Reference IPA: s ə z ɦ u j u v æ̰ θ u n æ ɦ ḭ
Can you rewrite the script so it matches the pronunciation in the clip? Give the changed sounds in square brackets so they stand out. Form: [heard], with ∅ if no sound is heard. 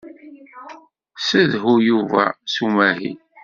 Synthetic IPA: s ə [ð] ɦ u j u v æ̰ [s] u [m] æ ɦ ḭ